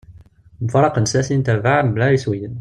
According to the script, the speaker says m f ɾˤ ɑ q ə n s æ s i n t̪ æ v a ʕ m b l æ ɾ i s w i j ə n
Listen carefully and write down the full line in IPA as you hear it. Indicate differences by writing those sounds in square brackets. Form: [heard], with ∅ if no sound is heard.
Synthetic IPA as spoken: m f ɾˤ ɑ q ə n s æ s i n t̪ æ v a ʕ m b l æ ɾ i s w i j ə n